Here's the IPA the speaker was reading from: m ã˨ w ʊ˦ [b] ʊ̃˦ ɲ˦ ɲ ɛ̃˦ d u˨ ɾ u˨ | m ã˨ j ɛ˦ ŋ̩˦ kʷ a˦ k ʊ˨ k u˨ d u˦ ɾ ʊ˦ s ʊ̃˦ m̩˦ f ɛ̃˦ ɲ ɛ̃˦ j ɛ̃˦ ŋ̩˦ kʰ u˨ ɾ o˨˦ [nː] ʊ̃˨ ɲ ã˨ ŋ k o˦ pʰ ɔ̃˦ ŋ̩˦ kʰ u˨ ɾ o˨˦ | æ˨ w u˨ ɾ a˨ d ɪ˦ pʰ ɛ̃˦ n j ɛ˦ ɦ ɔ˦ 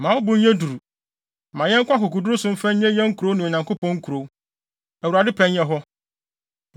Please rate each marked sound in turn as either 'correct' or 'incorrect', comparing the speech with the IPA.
correct, incorrect: n

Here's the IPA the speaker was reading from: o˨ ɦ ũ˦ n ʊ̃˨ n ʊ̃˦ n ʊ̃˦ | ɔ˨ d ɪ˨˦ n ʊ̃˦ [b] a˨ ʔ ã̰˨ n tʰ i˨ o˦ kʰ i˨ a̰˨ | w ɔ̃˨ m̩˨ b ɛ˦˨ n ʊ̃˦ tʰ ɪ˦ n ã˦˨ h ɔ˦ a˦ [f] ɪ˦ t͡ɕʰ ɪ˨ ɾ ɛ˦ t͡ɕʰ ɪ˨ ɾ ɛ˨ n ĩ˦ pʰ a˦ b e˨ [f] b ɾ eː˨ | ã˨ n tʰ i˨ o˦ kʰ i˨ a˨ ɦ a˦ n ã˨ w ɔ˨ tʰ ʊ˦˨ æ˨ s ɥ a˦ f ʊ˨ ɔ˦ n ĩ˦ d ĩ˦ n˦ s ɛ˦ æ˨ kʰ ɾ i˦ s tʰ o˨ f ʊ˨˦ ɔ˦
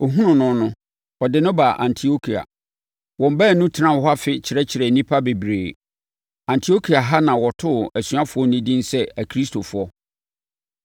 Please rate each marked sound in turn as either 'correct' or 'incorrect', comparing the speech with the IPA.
correct, correct, incorrect: none

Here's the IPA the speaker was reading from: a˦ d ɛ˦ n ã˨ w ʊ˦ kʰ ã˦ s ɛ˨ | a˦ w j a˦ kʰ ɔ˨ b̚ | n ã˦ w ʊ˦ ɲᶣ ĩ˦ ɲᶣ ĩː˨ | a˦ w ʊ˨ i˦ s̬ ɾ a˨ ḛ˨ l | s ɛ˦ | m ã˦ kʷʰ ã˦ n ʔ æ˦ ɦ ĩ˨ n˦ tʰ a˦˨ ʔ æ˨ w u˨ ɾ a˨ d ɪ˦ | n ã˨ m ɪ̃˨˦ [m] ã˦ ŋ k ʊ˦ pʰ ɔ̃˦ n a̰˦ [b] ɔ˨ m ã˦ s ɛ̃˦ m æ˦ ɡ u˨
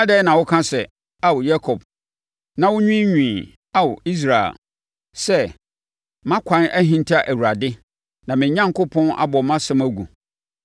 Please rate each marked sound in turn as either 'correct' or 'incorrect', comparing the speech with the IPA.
incorrect: ɲ, correct

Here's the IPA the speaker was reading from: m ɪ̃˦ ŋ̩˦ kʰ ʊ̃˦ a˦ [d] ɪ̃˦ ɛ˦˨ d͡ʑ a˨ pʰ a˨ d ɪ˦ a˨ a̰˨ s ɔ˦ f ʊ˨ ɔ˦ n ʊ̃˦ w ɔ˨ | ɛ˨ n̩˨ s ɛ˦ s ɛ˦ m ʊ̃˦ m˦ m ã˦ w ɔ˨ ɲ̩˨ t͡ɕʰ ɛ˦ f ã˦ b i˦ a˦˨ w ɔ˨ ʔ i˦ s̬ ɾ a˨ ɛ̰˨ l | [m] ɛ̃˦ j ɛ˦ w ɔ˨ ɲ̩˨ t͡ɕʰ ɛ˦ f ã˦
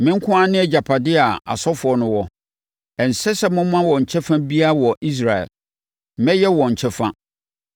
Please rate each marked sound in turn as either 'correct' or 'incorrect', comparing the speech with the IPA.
incorrect: n, correct

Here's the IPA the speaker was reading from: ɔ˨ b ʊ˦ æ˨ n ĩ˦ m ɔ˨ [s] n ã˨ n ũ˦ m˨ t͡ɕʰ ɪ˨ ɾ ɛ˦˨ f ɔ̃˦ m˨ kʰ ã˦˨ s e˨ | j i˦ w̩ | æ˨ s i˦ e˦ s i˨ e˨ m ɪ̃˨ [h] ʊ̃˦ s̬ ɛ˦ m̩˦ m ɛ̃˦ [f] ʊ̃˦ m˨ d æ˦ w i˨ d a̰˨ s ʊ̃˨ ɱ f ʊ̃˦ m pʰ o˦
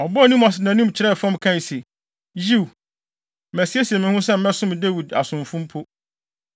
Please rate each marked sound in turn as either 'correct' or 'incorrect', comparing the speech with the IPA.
correct, correct, incorrect: s

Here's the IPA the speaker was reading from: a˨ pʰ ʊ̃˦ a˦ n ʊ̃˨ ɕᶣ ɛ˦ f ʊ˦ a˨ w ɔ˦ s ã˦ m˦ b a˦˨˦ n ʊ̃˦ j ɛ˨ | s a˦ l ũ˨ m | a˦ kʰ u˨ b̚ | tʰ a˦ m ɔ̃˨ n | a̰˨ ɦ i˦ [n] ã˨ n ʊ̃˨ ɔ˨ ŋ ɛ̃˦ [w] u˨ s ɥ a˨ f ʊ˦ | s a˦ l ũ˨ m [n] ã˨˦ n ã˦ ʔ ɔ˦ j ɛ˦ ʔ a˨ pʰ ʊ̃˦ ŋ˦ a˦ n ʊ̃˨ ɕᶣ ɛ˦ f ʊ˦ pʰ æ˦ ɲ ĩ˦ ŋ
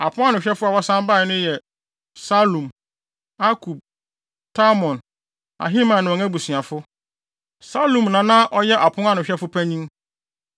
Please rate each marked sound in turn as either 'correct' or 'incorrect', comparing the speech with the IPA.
incorrect: m, incorrect: b, correct

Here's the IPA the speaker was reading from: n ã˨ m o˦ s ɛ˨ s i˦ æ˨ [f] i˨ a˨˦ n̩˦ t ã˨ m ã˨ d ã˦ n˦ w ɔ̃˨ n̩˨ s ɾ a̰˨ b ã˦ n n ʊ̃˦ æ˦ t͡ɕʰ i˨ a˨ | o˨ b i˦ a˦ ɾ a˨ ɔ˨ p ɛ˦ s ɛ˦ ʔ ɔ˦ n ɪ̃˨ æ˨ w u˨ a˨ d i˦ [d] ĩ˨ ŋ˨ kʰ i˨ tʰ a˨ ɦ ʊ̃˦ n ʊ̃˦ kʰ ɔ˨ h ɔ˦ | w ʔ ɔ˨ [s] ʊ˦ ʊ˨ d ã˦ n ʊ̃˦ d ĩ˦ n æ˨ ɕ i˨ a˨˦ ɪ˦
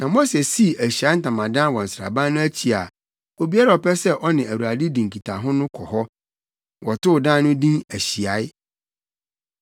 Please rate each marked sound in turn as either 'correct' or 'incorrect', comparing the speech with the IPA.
incorrect: ɕ, correct, incorrect: t

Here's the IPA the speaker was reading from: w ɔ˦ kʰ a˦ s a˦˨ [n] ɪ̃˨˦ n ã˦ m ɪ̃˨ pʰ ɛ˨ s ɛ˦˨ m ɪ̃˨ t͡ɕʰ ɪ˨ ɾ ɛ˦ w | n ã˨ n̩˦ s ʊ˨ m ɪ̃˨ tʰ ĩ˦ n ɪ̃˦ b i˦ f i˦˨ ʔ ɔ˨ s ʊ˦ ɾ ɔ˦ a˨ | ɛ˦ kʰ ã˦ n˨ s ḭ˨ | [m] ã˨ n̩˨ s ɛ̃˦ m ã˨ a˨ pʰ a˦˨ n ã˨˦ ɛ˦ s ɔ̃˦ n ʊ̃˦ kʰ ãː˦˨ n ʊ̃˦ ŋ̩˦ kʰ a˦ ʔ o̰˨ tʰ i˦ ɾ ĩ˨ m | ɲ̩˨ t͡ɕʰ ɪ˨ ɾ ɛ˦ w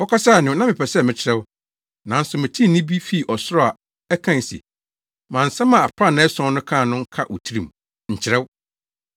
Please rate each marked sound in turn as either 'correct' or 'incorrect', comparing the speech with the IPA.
correct, correct

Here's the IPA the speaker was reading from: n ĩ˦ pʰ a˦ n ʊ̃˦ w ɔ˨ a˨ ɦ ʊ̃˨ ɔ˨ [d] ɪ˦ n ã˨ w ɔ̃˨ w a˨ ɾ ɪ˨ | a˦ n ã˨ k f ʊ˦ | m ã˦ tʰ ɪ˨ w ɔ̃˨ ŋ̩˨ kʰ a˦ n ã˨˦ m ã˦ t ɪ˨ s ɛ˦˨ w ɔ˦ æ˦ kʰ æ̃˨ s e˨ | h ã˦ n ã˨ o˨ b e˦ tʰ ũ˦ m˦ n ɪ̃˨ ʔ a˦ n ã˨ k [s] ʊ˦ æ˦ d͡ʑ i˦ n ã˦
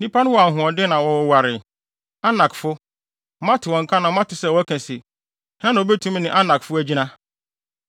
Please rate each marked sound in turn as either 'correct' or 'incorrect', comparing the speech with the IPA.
correct, incorrect: f

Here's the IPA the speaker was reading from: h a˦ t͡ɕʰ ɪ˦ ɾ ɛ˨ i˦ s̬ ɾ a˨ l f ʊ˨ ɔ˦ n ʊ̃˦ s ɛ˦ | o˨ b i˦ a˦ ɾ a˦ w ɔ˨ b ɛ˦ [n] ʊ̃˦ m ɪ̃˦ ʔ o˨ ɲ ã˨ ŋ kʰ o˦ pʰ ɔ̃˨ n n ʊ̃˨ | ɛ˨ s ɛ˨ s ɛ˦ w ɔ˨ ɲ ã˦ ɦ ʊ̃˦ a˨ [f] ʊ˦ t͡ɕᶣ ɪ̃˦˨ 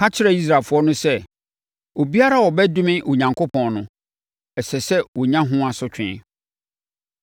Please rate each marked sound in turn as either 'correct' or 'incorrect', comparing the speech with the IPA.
incorrect: d, incorrect: s

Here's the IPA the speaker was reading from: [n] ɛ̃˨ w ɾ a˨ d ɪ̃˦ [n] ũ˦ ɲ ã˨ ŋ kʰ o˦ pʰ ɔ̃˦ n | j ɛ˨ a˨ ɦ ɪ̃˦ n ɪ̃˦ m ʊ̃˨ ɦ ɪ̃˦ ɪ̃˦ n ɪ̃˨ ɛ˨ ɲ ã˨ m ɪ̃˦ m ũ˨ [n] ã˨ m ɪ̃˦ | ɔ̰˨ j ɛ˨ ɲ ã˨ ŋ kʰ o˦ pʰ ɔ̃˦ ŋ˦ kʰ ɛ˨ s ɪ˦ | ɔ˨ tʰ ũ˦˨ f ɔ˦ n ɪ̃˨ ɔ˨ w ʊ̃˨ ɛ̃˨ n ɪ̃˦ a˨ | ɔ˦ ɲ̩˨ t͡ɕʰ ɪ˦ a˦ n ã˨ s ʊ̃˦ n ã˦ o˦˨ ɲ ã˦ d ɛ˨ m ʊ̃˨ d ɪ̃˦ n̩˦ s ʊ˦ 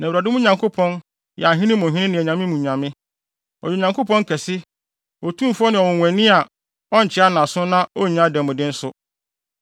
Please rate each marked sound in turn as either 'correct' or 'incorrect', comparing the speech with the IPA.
correct, incorrect: m, incorrect: ɲ

